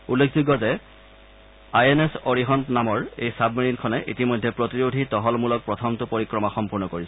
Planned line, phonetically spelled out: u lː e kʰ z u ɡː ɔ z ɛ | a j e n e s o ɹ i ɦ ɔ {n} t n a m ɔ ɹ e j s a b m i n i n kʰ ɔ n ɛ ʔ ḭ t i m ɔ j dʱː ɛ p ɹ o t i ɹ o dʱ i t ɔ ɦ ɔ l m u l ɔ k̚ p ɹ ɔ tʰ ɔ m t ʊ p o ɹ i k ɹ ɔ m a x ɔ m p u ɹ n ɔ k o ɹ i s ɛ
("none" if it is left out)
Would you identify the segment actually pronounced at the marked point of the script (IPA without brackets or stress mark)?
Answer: n